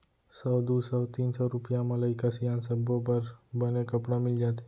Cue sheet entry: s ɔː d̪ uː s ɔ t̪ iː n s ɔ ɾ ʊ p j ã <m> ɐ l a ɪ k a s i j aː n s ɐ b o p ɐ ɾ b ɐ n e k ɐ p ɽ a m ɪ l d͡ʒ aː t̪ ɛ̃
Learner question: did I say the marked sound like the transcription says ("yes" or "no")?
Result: yes